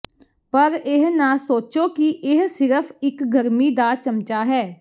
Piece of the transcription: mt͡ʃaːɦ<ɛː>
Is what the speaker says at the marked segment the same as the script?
yes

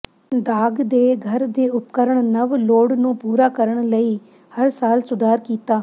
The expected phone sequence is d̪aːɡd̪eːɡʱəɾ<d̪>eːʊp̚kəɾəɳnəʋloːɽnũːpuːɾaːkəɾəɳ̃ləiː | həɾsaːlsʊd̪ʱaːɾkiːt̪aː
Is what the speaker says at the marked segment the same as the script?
yes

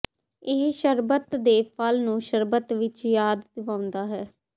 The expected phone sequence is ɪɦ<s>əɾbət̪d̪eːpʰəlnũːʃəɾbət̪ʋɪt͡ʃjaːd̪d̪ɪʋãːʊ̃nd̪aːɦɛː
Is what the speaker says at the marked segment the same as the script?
no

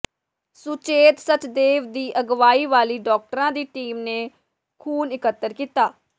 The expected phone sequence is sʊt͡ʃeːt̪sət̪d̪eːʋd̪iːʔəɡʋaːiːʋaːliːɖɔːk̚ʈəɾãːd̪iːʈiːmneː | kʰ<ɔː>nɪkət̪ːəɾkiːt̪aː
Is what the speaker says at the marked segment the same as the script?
no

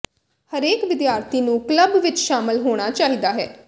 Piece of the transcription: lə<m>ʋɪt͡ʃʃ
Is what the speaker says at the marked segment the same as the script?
no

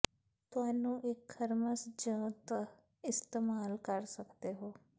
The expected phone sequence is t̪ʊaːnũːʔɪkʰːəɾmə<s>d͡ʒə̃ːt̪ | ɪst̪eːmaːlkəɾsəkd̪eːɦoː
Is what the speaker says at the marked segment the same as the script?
yes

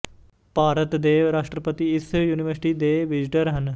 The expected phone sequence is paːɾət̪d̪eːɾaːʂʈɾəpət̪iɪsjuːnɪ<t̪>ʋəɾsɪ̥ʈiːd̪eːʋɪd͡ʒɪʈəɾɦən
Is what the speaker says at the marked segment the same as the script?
no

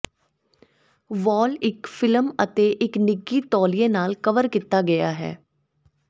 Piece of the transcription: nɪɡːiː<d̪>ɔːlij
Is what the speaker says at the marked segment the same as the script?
no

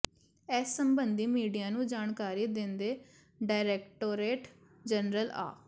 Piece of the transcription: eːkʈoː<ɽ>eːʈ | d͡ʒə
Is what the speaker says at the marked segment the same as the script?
no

